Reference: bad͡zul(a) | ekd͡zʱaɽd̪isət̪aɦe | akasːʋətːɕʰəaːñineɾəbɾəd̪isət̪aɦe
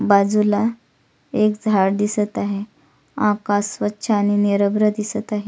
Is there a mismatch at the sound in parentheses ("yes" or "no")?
no